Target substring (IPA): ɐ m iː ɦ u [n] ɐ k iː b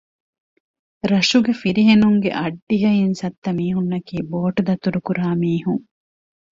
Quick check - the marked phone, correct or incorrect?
incorrect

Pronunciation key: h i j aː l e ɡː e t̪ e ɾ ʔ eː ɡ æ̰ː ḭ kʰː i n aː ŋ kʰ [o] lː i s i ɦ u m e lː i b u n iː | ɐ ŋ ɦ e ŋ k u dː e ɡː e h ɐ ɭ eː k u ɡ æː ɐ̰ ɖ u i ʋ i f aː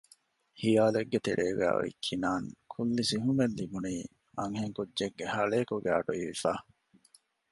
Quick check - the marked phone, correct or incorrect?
incorrect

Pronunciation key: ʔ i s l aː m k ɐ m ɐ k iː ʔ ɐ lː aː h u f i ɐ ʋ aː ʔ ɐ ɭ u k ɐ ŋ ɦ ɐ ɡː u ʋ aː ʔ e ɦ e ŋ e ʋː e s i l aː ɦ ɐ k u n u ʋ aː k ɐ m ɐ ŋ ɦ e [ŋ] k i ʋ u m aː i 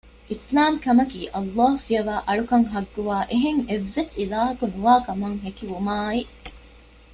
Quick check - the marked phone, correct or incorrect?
incorrect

